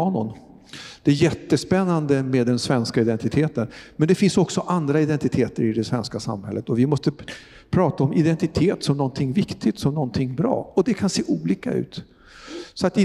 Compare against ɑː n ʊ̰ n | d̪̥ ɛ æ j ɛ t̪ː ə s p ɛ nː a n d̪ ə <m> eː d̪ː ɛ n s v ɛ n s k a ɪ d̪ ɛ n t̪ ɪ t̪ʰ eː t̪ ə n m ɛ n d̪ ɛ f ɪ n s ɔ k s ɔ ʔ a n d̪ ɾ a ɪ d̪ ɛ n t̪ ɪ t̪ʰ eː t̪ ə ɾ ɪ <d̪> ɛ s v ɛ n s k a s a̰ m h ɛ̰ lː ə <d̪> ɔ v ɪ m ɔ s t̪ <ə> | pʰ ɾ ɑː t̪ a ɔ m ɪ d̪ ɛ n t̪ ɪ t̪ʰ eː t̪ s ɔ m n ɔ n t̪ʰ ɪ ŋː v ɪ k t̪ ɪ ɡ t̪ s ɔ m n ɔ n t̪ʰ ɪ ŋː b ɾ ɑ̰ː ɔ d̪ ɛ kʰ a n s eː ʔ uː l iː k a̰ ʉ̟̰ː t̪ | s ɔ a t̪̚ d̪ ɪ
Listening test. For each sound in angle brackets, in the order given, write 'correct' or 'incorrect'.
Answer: correct, correct, incorrect, correct

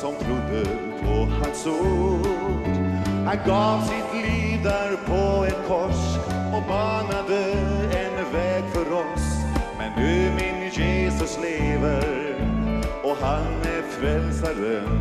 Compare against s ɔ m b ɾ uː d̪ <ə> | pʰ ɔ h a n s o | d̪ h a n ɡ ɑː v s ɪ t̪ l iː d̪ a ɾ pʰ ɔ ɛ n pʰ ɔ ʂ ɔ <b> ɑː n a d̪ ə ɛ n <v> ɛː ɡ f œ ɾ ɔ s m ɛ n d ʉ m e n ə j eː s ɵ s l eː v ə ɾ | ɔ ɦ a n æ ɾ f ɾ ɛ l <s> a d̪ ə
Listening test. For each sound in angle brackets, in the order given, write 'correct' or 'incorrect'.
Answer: correct, correct, correct, correct

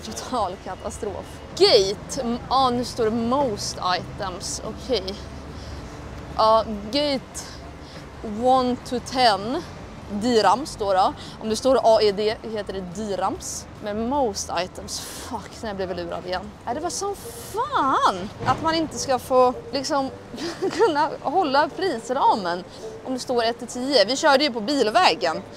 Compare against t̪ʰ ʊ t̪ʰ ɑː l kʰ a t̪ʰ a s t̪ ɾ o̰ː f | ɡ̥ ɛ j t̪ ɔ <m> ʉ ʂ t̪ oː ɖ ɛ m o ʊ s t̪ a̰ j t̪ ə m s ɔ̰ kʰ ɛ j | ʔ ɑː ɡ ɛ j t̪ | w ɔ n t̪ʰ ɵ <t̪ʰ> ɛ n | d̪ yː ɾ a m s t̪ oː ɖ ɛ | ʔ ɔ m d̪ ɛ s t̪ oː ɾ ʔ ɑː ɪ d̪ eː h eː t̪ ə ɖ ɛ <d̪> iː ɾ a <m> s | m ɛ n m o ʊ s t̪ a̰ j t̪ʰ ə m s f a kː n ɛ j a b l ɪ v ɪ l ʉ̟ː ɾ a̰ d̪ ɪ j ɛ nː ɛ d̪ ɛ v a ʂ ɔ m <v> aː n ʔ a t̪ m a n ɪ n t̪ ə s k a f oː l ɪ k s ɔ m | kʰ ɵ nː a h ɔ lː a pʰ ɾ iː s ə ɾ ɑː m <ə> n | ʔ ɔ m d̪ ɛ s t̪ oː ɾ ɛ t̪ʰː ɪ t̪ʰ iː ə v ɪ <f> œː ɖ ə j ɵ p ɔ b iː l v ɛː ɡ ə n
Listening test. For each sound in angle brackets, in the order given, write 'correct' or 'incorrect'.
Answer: incorrect, correct, correct, correct, incorrect, correct, incorrect

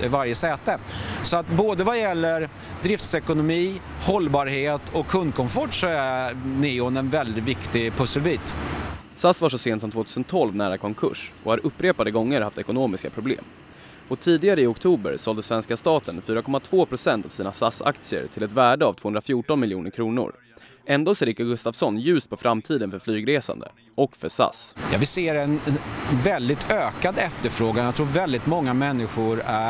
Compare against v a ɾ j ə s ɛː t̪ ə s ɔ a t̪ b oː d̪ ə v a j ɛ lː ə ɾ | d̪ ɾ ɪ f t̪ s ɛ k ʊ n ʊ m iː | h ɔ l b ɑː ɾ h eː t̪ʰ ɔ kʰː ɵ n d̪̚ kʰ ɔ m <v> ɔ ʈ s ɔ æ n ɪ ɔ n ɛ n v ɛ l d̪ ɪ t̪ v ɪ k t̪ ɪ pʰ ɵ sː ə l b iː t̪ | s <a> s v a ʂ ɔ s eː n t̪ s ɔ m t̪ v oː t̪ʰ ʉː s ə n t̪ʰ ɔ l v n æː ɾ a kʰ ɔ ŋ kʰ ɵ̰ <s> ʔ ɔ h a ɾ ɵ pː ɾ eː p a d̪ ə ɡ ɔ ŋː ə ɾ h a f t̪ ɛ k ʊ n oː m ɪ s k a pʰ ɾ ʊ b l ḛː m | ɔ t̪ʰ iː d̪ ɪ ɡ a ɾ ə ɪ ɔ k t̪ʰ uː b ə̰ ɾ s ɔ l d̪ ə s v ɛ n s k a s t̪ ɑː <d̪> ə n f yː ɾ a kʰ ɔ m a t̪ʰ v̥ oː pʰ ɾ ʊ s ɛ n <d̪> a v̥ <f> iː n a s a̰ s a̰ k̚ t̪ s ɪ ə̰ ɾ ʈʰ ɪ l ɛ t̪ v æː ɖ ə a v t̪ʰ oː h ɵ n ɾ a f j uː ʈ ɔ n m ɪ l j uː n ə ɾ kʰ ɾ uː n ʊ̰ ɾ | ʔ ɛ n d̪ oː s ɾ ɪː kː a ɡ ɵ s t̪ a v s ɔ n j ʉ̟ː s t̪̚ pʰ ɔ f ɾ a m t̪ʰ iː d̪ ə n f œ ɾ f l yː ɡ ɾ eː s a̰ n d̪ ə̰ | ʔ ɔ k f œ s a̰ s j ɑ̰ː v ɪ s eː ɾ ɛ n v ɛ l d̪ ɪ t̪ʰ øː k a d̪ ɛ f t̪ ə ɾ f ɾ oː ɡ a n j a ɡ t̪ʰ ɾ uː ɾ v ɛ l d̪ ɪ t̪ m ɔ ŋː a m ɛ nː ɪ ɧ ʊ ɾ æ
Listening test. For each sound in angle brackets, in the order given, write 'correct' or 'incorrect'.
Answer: incorrect, correct, incorrect, incorrect, incorrect, incorrect

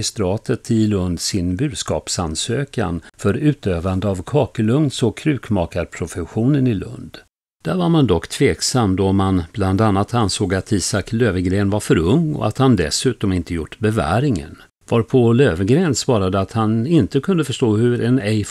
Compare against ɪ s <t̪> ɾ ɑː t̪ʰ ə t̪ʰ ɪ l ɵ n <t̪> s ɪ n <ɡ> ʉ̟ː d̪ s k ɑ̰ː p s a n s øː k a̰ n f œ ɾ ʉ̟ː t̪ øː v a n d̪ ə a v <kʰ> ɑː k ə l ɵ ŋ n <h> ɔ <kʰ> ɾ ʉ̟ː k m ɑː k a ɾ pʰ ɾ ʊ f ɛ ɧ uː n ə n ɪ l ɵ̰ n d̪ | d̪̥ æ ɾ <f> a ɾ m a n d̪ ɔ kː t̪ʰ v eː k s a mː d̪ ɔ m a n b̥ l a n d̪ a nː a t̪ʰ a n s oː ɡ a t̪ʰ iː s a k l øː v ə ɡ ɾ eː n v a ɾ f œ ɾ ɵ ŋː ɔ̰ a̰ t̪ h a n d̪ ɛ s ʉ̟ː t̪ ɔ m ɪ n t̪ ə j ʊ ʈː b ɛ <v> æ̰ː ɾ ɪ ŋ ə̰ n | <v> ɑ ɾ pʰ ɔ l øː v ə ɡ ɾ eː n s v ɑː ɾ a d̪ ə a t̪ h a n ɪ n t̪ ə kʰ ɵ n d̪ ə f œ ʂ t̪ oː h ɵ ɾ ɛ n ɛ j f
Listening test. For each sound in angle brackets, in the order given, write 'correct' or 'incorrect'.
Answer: correct, incorrect, incorrect, correct, incorrect, correct, incorrect, correct, correct

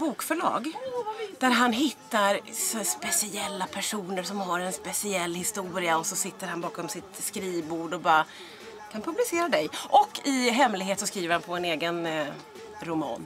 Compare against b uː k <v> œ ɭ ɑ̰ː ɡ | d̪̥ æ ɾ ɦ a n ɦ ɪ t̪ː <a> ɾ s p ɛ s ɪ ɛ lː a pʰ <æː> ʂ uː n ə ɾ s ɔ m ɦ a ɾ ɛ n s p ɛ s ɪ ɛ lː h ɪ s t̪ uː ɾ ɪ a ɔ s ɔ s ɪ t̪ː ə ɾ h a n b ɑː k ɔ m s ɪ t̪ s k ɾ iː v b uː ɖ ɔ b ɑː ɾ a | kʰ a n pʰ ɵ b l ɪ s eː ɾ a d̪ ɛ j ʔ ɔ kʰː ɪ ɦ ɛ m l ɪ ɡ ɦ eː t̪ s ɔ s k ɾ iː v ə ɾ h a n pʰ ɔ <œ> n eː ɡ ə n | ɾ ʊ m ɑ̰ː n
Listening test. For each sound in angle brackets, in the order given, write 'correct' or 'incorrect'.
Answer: incorrect, correct, incorrect, incorrect

